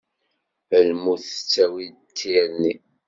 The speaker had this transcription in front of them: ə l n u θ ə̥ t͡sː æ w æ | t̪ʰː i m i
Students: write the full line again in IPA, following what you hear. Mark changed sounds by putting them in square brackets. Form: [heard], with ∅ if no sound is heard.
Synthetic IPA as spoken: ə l [m] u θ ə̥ t͡sː æ w [i] | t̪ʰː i [n] i